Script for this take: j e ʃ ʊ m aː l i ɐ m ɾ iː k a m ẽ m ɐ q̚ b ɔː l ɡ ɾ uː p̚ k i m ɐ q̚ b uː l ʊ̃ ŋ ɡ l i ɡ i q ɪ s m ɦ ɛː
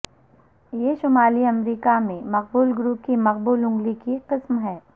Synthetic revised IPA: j e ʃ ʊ m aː l i ɐ m ɾ iː k a m ẽ m ɐ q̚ b uː l ɡ ɾ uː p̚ k i m ɐ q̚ b uː l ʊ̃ ŋ ɡ l i k i q ɪ s m ɦ ɛː